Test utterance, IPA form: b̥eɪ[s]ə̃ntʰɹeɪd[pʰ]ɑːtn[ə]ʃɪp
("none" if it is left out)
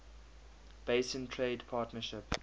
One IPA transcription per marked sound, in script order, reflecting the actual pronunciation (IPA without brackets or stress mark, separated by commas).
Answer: s, pʰ, ə